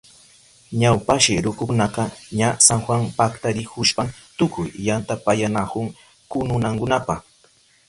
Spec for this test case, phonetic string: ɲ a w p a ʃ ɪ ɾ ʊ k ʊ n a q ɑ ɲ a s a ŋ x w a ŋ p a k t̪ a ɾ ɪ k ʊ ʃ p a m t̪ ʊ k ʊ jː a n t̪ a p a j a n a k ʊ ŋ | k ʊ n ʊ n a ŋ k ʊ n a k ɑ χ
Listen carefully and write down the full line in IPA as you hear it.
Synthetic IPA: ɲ a w p a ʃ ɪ ɾ ʊ k ʊ n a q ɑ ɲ a s a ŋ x w a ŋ p a k t̪ a ɾ ɪ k ʊ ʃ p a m t̪ ʊ k ʊ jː a n t̪ a p a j a n a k ʊ ŋ | k ʊ n ʊ n a ŋ k ʊ n a p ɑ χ